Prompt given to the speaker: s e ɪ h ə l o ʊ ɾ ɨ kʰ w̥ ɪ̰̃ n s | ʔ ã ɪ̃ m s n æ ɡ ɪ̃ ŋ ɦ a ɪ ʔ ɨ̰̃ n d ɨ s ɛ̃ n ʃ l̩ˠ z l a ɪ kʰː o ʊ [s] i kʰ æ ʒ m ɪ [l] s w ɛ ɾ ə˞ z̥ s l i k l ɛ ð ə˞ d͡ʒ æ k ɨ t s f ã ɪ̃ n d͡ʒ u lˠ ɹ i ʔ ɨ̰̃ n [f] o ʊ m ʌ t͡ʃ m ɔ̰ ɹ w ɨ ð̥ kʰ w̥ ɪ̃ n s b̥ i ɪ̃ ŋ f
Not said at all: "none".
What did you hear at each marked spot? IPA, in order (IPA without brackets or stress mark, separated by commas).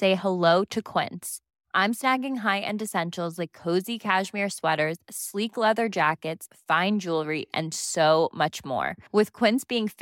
z, ɹ, s